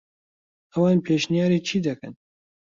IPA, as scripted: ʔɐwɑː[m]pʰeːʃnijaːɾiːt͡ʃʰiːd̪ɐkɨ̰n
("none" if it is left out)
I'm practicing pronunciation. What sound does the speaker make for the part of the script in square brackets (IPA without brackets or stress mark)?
n